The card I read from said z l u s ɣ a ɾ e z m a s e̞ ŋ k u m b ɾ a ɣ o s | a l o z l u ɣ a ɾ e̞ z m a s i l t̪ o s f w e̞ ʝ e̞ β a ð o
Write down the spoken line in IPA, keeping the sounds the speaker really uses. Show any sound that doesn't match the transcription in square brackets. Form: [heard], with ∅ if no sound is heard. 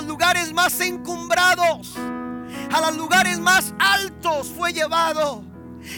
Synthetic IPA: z l u [∅] ɣ a ɾ e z m a s e̞ ŋ k u m b ɾ a [ð] o s | a l o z l u ɣ a ɾ e̞ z m a s [a] l t̪ o s f w e̞ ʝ e̞ β a ð o